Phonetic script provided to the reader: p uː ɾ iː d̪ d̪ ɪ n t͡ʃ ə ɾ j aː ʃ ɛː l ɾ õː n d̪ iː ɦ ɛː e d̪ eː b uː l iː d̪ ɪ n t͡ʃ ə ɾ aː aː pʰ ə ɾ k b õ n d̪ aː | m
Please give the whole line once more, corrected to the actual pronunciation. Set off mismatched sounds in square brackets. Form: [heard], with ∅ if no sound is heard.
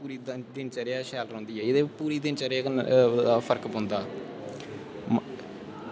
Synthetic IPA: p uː ɾ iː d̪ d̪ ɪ n t͡ʃ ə ɾ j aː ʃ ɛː l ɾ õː n d̪ iː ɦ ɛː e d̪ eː [p] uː [ɾ] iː d̪ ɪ n t͡ʃ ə ɾ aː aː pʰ ə ɾ k b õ n d̪ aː | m